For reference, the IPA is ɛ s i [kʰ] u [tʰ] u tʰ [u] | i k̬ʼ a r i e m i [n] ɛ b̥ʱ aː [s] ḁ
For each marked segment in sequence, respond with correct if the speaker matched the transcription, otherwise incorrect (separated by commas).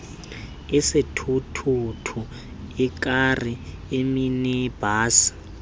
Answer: incorrect, correct, correct, correct, correct